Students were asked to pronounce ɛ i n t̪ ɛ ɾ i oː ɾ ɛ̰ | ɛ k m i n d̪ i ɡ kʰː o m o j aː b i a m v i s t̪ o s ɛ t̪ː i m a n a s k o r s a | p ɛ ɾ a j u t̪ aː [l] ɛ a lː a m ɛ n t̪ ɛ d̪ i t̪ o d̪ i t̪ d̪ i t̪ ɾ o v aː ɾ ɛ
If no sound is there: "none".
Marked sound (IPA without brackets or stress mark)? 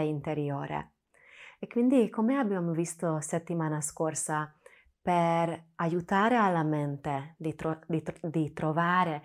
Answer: ɾ